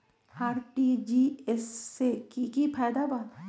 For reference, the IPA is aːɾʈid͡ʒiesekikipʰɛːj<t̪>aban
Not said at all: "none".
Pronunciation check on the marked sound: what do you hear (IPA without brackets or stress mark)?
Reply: d̪